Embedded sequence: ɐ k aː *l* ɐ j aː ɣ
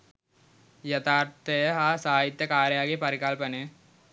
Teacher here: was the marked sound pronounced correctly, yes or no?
no